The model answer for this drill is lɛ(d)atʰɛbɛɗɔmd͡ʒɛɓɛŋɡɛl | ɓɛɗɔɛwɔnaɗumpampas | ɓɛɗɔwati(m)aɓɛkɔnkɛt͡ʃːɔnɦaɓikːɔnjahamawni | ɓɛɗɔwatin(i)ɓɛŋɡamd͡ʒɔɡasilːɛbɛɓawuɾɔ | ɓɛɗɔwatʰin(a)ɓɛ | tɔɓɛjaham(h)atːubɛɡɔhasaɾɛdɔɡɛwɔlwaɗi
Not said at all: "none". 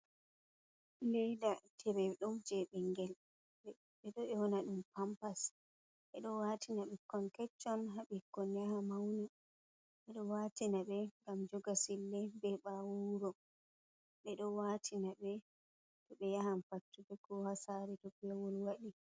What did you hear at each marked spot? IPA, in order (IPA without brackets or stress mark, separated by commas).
d, n, a, a, f